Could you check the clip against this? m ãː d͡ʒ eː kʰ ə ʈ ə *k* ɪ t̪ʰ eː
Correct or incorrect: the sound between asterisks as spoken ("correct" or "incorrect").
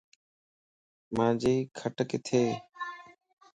correct